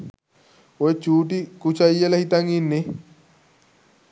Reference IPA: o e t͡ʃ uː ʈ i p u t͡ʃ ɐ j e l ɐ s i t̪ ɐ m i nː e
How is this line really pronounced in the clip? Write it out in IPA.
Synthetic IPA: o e t͡ʃ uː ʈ i k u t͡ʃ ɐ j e l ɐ h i t̪ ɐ ŋ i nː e